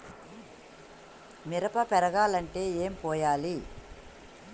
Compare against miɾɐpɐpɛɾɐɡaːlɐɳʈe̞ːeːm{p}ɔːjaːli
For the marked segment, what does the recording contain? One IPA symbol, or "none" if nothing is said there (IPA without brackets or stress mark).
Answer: p